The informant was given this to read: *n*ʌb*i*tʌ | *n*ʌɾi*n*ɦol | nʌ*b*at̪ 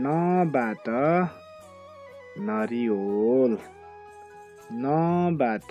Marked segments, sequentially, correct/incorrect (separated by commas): correct, incorrect, correct, incorrect, correct